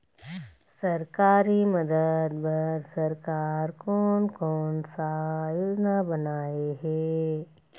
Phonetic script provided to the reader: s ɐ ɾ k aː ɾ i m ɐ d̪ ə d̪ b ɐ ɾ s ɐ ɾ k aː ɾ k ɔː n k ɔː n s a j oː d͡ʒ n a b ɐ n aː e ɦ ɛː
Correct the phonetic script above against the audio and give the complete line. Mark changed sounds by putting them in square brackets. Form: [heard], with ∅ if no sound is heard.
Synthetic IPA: s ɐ ɾ k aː ɾ i m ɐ d̪ ə d̪ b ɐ ɾ s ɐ ɾ k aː ɾ k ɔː n k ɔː n s a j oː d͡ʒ n a b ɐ n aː e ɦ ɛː